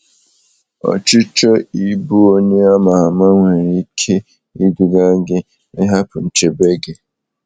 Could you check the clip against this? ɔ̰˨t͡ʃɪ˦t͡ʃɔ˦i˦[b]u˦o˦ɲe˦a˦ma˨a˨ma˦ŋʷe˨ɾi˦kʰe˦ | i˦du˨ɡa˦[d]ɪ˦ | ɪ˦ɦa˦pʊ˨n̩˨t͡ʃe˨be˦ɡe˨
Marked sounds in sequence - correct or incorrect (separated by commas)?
correct, incorrect